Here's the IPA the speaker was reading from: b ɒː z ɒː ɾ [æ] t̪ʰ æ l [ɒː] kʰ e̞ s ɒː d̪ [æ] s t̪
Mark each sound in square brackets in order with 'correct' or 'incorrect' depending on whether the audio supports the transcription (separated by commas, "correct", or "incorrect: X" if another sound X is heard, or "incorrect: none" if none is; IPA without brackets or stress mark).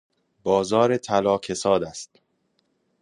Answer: incorrect: e, correct, correct